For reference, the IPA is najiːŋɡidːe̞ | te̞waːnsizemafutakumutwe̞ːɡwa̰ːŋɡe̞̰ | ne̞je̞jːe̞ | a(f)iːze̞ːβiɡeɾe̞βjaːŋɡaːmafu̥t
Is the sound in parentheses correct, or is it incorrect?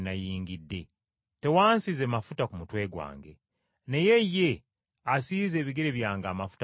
incorrect